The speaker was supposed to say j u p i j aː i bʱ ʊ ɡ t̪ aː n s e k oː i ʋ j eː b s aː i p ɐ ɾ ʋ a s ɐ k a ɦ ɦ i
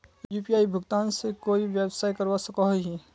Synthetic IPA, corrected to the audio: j u p i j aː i bʱ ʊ ɡ t̪ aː n s e k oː i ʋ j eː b s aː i k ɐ ɾ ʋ a s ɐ k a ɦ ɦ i